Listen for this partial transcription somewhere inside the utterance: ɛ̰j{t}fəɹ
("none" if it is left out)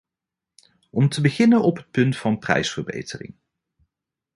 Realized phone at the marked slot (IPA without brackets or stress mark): s